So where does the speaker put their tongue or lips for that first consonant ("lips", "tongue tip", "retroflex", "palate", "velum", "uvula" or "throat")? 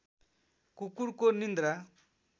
velum